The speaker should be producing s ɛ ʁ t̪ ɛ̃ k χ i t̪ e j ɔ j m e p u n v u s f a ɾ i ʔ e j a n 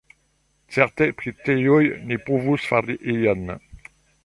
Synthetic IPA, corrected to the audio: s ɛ ʁ t̪ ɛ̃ p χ i t̪ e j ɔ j n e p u v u s f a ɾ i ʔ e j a n